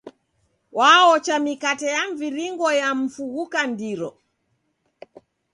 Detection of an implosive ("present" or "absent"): absent